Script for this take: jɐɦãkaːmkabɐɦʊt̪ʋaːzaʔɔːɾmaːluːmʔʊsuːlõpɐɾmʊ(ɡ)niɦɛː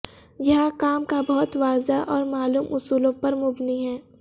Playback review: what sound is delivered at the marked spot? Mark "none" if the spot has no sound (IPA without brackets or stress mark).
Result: b